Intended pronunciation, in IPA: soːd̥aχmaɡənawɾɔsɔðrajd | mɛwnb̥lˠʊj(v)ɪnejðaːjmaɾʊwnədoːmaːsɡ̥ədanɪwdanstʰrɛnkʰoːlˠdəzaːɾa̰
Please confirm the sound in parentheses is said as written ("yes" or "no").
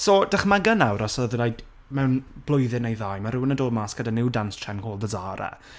no